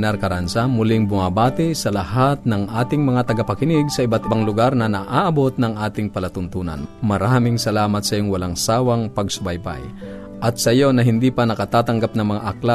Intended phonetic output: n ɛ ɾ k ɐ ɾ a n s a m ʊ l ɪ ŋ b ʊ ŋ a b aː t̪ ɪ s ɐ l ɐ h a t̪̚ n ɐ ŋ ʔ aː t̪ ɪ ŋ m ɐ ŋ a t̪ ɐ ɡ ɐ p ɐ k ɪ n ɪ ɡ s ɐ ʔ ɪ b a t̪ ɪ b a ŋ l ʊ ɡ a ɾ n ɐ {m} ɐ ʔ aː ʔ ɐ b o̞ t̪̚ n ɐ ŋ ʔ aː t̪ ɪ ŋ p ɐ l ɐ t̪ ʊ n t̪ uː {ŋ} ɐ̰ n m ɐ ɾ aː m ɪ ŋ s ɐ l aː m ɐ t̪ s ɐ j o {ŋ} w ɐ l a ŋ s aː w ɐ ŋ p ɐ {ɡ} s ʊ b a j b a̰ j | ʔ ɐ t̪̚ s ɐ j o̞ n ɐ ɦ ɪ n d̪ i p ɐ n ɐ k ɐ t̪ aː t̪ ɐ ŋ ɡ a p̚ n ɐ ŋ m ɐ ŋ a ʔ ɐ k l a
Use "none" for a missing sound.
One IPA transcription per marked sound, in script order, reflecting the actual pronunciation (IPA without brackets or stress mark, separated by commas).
n, n, ŋ, ɡ